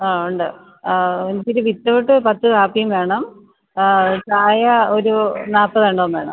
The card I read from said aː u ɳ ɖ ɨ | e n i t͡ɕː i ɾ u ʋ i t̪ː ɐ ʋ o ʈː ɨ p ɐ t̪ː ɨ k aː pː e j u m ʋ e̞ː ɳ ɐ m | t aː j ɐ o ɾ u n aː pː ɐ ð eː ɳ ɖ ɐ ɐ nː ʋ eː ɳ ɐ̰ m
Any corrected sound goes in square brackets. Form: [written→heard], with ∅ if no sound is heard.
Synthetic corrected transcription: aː u ɳ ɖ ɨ | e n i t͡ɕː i ɾ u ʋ i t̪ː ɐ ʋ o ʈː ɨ p ɐ t̪ː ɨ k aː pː [e→i] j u m ʋ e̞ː ɳ ɐ m | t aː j ɐ o ɾ u n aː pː ɐ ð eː ɳ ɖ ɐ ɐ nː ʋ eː ɳ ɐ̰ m

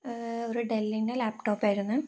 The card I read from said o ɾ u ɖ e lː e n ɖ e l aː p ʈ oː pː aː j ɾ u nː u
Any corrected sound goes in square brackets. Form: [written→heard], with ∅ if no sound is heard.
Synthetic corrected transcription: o ɾ u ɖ e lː [e→i] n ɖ e l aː p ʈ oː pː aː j ɾ u nː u

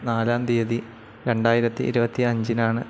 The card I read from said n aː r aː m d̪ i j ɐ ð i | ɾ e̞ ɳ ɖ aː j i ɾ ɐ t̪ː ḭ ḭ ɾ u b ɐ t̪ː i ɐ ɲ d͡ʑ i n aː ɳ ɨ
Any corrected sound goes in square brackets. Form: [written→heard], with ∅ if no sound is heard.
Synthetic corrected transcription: n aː [r→l] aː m d̪ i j ɐ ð i | ɾ e̞ ɳ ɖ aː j i ɾ ɐ t̪ː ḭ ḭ ɾ u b ɐ t̪ː i ɐ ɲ d͡ʑ i n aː ɳ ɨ

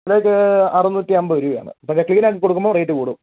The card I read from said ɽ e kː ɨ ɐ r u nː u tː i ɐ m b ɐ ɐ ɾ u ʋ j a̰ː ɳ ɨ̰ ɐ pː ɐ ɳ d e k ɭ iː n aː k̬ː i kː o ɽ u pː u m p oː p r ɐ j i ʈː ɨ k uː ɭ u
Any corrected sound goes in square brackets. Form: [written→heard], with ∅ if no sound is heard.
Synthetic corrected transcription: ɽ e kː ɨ ɐ r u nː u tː i ɐ m b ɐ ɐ ɾ u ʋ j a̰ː ɳ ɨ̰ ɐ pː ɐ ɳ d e k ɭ iː n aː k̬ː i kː o ɽ u [pː→kː] u m [p→b] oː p r ɐ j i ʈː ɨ k uː [ɭ→ɽ] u

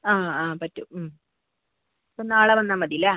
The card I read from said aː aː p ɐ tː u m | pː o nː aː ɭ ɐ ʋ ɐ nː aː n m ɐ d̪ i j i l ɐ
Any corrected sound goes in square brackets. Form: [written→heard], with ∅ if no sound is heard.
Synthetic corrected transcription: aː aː p ɐ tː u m | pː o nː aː ɭ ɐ ʋ ɐ nː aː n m ɐ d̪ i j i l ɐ

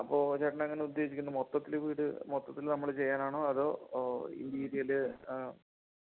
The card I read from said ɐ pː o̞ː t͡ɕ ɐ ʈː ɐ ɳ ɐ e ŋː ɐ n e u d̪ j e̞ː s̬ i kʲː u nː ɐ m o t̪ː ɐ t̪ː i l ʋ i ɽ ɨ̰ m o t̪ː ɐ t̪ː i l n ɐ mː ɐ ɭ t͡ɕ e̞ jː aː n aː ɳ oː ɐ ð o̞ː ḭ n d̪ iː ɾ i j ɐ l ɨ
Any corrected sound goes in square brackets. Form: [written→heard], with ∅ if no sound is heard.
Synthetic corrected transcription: ɐ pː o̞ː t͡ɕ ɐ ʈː ɐ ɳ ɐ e ŋː ɐ n e u d̪ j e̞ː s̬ i kʲː u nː ɐ m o t̪ː ɐ t̪ː i l ʋ [i→iː] ɽ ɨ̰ m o t̪ː ɐ t̪ː i l n ɐ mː ɐ ɭ t͡ɕ e̞ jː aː n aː ɳ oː ɐ ð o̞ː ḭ n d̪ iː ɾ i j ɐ l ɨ

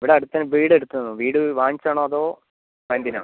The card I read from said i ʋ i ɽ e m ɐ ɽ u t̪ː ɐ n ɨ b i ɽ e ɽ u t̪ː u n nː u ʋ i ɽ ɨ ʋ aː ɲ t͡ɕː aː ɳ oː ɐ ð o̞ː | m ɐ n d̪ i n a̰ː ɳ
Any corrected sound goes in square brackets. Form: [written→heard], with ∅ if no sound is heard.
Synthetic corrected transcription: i ʋ i ɽ e [m→∅] ɐ ɽ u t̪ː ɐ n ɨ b [i→iː] ɽ e ɽ u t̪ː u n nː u ʋ [i→iː] ɽ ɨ ʋ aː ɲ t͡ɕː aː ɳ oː ɐ ð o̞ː | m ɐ n d̪ i n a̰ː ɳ

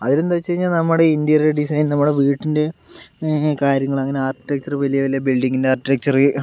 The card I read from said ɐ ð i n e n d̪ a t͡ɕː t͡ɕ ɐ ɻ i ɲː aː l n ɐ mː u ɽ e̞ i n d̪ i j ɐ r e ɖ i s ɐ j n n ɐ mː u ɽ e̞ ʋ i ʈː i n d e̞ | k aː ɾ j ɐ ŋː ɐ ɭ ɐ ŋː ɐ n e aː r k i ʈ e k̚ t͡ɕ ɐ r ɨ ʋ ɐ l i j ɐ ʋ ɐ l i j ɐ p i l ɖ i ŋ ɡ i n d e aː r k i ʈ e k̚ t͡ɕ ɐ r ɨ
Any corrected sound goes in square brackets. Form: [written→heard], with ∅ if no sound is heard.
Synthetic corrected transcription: ɐ ð i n e n d̪ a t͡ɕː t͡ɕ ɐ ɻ i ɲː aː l n ɐ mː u ɽ e̞ i n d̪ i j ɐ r e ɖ i s ɐ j n n ɐ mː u ɽ e̞ ʋ [i→iː] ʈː i n d e̞ | k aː ɾ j ɐ ŋː ɐ ɭ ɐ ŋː ɐ n e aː r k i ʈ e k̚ t͡ɕ ɐ r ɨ ʋ ɐ l i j ɐ ʋ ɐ l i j ɐ [p→b] i l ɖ i ŋ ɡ i n d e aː r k i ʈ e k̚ t͡ɕ ɐ r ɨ

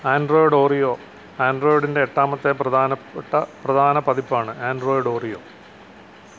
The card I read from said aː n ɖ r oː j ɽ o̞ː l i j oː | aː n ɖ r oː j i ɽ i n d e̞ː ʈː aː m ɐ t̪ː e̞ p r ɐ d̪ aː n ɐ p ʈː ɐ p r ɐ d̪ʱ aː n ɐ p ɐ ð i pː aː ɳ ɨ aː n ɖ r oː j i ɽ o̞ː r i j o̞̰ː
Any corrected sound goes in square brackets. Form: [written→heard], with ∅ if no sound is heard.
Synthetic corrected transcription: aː n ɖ r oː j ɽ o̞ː [l→r] i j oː | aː n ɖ r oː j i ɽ i n d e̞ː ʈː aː m ɐ t̪ː e̞ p r ɐ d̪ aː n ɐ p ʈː ɐ p r ɐ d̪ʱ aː n ɐ p ɐ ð i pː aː ɳ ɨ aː n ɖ r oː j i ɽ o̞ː r i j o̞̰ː

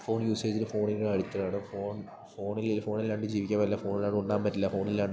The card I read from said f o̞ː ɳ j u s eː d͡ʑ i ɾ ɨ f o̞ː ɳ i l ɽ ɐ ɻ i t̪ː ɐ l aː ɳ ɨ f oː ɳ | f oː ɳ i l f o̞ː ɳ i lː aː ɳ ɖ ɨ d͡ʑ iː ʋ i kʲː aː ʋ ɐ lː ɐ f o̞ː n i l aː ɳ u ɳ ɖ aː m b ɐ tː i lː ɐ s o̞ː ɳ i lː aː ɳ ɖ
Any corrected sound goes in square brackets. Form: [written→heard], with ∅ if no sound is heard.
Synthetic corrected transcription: f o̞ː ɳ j [u→uː] s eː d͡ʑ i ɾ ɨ f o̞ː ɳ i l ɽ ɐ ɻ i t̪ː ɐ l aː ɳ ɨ f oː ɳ | f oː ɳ i l f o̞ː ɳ i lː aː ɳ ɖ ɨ d͡ʑ iː ʋ i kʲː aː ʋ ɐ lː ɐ f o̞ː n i l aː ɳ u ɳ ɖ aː m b ɐ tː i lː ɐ [s→f] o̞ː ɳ i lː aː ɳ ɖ

